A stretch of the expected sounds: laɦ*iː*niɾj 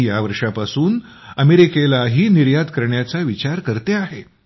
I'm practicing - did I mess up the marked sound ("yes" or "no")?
no